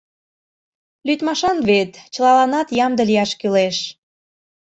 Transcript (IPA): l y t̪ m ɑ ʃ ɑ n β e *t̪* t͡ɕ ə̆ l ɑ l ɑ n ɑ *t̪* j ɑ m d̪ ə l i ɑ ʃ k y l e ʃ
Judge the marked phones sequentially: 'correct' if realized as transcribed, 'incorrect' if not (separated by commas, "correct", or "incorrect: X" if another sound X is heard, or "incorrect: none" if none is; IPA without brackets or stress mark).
correct, correct